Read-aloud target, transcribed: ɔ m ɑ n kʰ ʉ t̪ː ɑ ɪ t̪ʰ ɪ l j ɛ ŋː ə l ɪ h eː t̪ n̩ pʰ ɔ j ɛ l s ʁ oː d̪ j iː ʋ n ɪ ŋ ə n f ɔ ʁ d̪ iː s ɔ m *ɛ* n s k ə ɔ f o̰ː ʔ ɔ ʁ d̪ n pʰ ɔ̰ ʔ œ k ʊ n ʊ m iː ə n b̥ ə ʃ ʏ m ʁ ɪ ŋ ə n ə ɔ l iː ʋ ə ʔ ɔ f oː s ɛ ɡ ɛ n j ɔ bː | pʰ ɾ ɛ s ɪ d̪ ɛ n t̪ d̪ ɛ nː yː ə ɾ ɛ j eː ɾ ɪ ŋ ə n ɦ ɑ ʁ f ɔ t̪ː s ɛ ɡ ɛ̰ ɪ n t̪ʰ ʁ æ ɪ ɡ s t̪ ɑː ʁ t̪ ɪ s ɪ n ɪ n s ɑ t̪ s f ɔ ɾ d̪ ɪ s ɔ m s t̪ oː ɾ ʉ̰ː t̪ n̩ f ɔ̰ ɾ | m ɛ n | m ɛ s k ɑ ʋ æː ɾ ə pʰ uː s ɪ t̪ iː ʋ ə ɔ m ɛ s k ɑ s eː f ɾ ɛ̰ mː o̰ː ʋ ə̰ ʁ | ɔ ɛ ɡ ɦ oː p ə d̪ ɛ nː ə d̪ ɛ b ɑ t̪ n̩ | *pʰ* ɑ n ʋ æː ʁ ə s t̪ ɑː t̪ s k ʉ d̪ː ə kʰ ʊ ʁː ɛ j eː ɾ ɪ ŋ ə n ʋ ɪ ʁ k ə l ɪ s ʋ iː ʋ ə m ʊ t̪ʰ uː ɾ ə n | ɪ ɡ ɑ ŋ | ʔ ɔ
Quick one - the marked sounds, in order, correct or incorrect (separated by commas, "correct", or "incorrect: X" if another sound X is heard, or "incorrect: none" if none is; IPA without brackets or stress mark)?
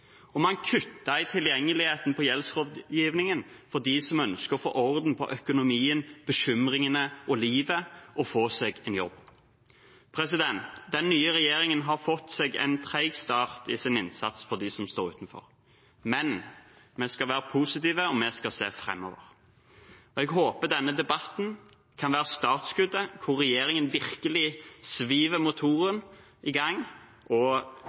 incorrect: œ, incorrect: kʰ